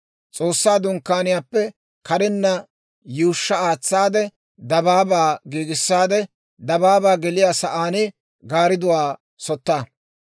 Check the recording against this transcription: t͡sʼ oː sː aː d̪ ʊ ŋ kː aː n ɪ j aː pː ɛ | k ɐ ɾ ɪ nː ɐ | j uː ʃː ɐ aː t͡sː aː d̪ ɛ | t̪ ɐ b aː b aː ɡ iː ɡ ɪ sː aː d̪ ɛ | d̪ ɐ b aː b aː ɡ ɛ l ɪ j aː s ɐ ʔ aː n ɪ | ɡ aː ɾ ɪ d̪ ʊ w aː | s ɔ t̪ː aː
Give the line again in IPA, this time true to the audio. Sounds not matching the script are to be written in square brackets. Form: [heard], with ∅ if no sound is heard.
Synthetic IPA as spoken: t͡sʼ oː sː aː d̪ ʊ ŋ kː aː n ɪ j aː pː ɛ | k ɐ ɾ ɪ nː ɐ | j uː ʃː ɐ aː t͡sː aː d̪ ɛ | [d̪] ɐ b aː b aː ɡ iː ɡ ɪ sː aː d̪ ɛ | d̪ ɐ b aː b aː ɡ ɛ l ɪ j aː s ɐ ʔ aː n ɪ | ɡ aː ɾ ɪ d̪ ʊ w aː | s ɔ t̪ː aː